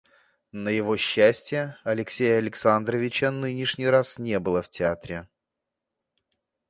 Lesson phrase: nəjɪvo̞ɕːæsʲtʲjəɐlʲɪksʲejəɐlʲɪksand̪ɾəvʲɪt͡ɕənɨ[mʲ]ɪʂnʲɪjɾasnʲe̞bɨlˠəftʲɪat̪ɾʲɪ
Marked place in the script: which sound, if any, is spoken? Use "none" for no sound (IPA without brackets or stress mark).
nʲ